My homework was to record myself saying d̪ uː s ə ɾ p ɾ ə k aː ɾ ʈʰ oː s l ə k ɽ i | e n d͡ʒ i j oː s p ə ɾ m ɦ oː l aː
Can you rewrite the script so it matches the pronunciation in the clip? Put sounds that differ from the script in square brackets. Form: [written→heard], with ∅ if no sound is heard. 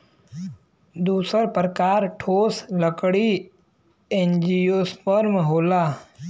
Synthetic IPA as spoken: d̪ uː s ə ɾ p ɾ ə k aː ɾ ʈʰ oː s l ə k ɽ i | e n d͡ʒ i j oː s p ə ɾ m ɦ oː l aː